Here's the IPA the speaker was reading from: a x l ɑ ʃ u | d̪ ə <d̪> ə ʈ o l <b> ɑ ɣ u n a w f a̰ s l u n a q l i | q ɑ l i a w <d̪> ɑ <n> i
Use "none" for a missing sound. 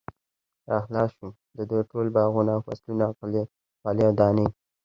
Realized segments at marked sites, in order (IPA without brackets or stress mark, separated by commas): d̪, b, d̪, n